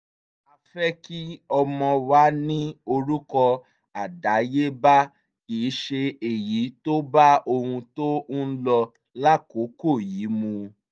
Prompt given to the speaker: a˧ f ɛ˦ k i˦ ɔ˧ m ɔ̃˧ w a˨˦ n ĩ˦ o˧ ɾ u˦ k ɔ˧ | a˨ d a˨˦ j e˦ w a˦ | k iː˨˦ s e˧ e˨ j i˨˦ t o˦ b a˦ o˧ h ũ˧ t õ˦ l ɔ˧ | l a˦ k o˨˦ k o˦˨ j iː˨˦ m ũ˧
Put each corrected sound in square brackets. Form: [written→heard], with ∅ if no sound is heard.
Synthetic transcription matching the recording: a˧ f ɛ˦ k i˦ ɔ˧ m ɔ̃˧ w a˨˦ n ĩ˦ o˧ ɾ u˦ k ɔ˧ | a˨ d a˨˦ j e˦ [w→b] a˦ | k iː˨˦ [s→ʃ] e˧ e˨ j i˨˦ t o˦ b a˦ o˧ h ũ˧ t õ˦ l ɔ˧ | l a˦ k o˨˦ k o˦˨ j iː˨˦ m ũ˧

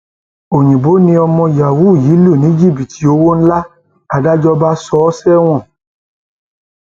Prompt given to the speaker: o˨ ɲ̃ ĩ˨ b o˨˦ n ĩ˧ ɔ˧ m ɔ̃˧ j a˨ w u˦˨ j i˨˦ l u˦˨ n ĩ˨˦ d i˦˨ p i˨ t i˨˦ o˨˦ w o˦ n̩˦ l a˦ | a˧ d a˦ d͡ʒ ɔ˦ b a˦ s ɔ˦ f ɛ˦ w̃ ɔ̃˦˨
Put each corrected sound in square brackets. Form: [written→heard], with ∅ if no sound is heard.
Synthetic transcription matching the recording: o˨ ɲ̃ ĩ˨ b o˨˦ n ĩ˧ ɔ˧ m ɔ̃˧ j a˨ w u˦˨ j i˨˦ l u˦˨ n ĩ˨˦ [d→d͡ʒ] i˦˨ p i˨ t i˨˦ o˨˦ w o˦ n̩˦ l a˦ | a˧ d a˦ d͡ʒ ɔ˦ b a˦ s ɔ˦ [f→s] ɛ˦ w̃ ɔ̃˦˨

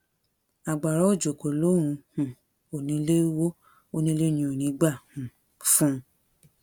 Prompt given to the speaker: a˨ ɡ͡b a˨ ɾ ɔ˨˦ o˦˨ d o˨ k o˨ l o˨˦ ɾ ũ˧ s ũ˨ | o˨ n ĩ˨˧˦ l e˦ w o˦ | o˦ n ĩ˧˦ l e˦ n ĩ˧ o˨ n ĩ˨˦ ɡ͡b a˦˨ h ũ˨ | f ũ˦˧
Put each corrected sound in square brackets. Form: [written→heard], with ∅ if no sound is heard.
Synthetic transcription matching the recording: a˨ ɡ͡b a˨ ɾ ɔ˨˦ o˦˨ [d→d͡ʒ] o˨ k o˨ l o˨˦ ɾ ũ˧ [s→h] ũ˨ | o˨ n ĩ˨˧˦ l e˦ w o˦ | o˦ n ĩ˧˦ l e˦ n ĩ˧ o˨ n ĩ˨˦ ɡ͡b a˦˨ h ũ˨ | f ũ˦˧

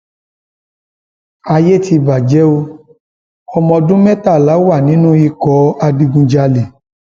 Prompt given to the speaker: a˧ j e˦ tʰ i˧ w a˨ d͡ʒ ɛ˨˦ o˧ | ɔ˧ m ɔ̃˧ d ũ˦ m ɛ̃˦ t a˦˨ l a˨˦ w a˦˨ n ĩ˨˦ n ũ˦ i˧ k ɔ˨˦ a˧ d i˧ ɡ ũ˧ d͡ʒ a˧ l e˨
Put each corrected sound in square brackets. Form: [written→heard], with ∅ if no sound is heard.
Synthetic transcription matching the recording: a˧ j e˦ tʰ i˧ [w→b] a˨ d͡ʒ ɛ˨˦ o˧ | ɔ˧ m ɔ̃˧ d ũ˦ m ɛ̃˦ t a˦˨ l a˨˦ w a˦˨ n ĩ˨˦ n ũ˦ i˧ k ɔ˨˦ a˧ d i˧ ɡ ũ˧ d͡ʒ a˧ l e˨

